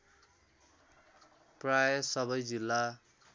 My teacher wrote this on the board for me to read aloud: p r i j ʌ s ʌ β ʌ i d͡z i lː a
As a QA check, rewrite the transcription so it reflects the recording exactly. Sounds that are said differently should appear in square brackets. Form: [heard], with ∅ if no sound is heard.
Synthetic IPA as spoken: p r [a] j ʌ s ʌ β ʌ [j] d͡z i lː a